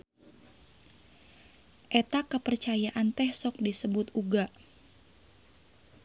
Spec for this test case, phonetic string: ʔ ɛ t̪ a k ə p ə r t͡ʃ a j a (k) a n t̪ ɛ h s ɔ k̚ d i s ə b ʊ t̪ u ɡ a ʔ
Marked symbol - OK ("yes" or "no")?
no